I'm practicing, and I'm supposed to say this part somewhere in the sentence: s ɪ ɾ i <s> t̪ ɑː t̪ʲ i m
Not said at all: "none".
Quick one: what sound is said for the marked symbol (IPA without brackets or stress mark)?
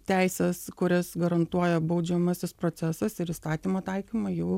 s